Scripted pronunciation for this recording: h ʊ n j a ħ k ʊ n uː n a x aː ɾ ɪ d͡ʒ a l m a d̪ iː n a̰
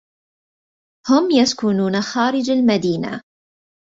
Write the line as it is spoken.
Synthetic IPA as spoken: h ʊ m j a s k ʊ n uː n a x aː ɾ ɪ d͡ʒ a l m a d̪ iː n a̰